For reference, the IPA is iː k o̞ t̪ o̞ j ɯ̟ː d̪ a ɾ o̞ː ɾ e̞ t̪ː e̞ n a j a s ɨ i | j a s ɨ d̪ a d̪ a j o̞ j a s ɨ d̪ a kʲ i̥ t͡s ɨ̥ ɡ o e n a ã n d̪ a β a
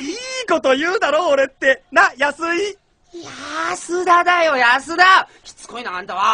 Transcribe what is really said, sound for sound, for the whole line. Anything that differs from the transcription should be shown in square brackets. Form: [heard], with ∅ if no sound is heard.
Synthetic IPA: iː k o̞ t̪ o̞ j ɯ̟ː d̪ a ɾ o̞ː ɾ e̞ t̪ː e̞ n a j a s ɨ i | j a s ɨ d̪ a d̪ a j o̞ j a s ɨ d̪ a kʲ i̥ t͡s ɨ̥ [k] o [i] n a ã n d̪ a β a